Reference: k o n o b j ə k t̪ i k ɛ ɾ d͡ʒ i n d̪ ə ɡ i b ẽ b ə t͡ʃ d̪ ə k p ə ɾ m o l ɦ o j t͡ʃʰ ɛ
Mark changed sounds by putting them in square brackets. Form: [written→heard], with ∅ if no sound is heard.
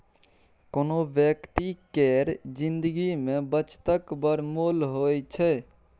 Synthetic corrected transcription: k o n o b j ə k t̪ i k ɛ ɾ d͡ʒ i n d̪ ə ɡ i [b→m] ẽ b ə t͡ʃ [d̪→t̪] ə k [p→b] ə ɾ m o l ɦ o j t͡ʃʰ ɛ

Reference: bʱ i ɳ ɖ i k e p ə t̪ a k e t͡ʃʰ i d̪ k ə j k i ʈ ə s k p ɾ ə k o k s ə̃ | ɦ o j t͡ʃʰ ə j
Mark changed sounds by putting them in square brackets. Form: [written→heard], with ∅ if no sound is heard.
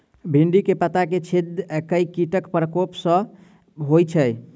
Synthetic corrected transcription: bʱ i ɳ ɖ i k e p ə t̪ a k e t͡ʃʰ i d̪ k ə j k i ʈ ə [s→∅] k p ɾ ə k o [k→p] s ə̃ | ɦ o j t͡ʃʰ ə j

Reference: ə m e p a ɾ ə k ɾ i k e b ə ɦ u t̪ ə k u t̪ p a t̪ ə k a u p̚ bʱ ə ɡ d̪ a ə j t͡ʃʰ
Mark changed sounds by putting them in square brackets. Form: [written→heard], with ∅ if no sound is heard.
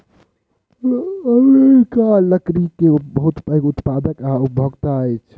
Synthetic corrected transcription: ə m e [p→k] a [ɾ→l] ə k ɾ i k e b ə ɦ u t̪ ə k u t̪ p a [t̪→d̪] ə k a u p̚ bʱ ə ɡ [d̪→t̪] a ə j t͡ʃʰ

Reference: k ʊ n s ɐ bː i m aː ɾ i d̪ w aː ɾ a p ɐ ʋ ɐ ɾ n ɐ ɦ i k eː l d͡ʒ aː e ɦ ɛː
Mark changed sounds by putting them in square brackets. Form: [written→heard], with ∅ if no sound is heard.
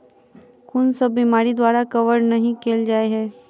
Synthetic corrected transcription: k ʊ n s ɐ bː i m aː ɾ i d̪ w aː ɾ a [p→k] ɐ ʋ [ɐ→ə] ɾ n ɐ ɦ [i→ĩ] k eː l d͡ʒ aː e ɦ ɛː

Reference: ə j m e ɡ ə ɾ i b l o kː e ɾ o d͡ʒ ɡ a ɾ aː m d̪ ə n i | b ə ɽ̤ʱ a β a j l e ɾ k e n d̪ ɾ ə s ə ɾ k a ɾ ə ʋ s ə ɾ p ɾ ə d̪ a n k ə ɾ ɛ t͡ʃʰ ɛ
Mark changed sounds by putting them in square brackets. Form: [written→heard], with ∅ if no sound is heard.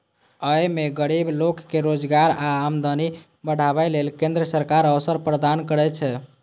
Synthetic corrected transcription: ə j m e ɡ ə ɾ i b l o kː e ɾ o d͡ʒ ɡ a ɾ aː m d̪ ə n i | b ə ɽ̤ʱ a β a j l e [ɾ→l] k e n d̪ ɾ ə s ə ɾ k a ɾ ə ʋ s ə ɾ p ɾ ə d̪ a n k ə ɾ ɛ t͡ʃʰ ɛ

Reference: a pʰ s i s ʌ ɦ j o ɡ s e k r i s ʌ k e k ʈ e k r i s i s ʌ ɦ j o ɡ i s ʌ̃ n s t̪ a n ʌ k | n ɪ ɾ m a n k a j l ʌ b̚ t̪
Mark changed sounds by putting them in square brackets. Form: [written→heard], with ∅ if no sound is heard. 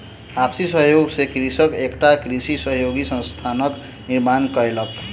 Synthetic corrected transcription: a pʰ s i s ʌ ɦ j o ɡ s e k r i s ʌ k e k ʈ [e→a] k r i s i s ʌ ɦ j o ɡ i s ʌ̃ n s [t̪→t̪ʰ] a n ʌ k | n [ɪ→i] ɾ m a n k [a→ʌ] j l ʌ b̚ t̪

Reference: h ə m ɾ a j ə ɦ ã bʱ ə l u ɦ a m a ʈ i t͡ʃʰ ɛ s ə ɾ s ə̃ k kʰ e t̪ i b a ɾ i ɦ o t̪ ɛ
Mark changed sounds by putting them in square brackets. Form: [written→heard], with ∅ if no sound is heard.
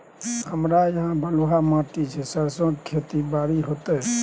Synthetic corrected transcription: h ə m ɾ a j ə ɦ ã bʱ ə l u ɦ a m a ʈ i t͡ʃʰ ɛ s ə ɾ s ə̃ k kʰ e t̪ i b a ɾ i ɦ o t̪ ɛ

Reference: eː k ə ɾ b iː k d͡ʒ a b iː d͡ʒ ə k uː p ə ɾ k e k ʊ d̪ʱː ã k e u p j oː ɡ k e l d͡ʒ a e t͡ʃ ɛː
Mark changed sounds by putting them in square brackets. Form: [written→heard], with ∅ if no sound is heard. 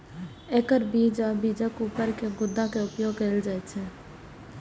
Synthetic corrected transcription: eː k ə ɾ b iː [k→∅] d͡ʒ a b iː d͡ʒ ə k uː p ə ɾ k e [k→ɡ] ʊ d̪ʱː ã k e [u→ʊ] p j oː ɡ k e l d͡ʒ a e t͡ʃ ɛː

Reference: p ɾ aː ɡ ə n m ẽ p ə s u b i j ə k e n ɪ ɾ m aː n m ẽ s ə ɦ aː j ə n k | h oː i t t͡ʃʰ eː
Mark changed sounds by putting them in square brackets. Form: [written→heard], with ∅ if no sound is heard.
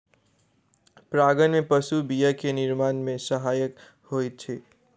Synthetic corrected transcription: p ɾ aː ɡ ə n m ẽ p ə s u b i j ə k e n ɪ ɾ m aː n m ẽ s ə ɦ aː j ə [n→∅] k | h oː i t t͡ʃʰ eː

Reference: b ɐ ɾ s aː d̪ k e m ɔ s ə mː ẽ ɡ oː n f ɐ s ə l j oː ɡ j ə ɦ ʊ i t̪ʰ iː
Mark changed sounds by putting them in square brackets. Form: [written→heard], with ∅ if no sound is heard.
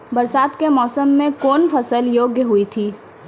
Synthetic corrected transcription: b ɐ ɾ s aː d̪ k e m [ɔ→ɔː] s ə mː ẽ [ɡ→k] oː n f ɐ s ə l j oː ɡ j ə ɦ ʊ i t̪ʰ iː

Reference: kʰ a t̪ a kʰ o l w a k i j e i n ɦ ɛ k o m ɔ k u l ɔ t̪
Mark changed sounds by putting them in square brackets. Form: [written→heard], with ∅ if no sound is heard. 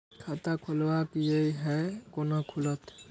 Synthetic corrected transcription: kʰ a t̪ a kʰ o l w a k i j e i [n→∅] ɦ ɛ k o [m→n] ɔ [k→kʰ] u l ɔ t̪

